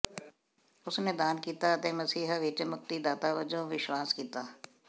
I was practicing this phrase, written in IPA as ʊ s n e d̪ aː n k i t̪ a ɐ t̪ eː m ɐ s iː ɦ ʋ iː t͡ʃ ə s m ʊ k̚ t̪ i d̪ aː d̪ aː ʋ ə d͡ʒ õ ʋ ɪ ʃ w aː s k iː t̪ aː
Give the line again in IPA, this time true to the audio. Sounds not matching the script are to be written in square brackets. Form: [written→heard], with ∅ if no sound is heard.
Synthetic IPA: ʊ s n e d̪ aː n k [i→iː] t̪ a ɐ t̪ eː m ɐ s iː ɦ ʋ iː t͡ʃ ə [s→∅] m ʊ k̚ t̪ i d̪ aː [d̪→t̪] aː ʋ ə d͡ʒ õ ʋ ɪ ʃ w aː s k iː t̪ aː